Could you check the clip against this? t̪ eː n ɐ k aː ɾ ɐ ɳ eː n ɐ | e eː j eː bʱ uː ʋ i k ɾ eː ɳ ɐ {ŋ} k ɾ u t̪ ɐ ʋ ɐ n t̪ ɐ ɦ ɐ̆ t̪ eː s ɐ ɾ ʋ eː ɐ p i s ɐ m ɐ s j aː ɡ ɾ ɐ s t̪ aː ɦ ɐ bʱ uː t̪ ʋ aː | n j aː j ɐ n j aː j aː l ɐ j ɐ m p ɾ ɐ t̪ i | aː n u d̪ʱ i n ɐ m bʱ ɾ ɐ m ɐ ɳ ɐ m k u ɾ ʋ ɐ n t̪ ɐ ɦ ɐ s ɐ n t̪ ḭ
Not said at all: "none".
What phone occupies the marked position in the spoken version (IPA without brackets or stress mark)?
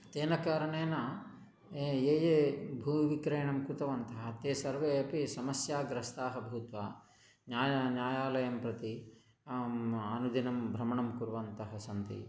m